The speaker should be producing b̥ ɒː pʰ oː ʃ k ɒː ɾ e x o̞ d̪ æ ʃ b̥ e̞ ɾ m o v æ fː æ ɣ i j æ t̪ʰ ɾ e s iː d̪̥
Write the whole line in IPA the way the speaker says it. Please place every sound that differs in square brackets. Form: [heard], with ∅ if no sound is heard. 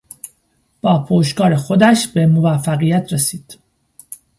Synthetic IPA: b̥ ɒː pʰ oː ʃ k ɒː ɾ e x o̞ d̪ æ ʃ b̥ e̞ [∅] m o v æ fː æ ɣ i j æ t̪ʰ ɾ e s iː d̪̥

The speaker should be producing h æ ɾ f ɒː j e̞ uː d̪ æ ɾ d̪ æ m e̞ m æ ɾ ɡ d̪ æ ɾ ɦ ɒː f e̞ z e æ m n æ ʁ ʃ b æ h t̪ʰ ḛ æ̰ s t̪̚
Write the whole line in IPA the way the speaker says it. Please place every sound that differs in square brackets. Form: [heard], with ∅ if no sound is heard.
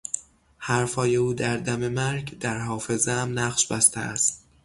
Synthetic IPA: h æ ɾ f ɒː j e̞ uː d̪ æ ɾ d̪ æ m e̞ m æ ɾ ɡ d̪ æ ɾ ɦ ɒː f e̞ z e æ m n æ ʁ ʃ b æ [s] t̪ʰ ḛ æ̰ s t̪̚

